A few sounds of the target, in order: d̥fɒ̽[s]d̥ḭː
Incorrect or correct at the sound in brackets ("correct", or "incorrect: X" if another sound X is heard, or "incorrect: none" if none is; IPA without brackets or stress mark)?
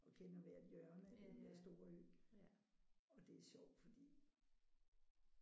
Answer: incorrect: none